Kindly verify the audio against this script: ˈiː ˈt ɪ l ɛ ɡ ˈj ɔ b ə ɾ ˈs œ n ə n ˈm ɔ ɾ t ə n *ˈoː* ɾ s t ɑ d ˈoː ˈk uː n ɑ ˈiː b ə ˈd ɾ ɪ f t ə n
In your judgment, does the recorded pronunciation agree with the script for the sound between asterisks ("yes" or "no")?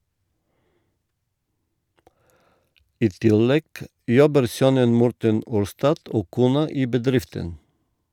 no